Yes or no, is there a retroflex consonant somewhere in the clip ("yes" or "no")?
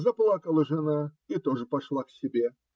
yes